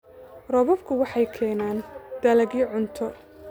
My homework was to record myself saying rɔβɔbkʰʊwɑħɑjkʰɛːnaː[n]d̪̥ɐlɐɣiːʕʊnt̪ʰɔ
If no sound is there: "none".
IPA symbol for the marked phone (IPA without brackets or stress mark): n